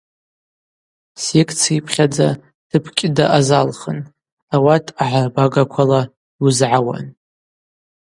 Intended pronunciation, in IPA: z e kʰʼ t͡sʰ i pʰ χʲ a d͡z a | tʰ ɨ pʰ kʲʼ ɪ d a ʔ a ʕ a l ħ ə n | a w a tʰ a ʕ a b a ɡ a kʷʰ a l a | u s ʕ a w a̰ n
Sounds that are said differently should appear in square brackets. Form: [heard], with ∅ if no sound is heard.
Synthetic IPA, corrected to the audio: [s] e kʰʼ t͡sʰ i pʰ χʲ a d͡z a | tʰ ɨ pʰ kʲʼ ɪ d a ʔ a [z] a l [χ] ə n | a w a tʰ a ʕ a b a ɡ a kʷʰ a l a | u [z] ʕ a w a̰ n

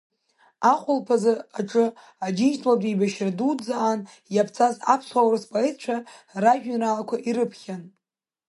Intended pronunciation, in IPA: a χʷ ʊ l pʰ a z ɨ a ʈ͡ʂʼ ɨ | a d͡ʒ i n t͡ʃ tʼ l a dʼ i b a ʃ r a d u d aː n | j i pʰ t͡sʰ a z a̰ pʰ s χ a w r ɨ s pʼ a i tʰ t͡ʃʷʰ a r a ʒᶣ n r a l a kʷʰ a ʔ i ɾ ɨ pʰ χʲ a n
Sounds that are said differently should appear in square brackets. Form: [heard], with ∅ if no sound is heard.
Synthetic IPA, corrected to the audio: a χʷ ʊ l pʰ a z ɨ a ʈ͡ʂʼ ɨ | a d͡ʒ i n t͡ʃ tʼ l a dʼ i b a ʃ r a d u [d͡z] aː n | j [a] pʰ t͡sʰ a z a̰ pʰ s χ a w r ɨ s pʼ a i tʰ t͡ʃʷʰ a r a ʒᶣ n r a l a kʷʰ a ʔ i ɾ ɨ pʰ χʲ a n

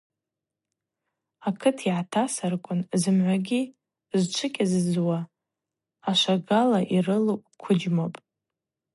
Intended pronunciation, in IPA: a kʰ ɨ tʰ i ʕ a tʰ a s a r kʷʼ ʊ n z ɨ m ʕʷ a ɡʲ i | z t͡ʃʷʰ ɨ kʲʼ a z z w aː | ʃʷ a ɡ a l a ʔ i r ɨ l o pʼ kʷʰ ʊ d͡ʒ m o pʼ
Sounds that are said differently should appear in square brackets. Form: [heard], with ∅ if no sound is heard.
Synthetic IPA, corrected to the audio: a kʰ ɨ tʰ i ʕ a tʰ a s a r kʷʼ ʊ n z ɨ m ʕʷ a ɡʲ i | z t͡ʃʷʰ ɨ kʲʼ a z z w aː | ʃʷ a ɡ a l a ʔ i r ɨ l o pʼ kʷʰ ʊ d͡ʒ m o pʼ

